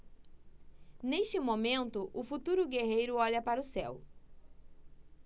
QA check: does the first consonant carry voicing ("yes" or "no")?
yes